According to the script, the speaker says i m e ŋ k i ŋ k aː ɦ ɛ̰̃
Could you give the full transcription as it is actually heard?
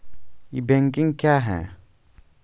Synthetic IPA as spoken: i b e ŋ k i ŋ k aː ɦ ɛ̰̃